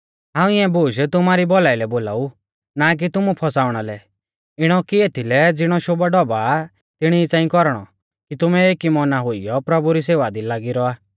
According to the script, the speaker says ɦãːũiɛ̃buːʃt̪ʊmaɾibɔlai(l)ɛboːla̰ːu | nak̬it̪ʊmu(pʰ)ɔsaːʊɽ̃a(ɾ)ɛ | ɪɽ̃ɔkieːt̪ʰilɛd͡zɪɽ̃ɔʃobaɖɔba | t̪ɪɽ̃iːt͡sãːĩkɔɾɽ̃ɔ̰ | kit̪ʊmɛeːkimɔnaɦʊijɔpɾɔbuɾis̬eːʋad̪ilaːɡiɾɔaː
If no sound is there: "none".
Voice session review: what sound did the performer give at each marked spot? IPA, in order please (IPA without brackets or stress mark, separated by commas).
l, pʰ, l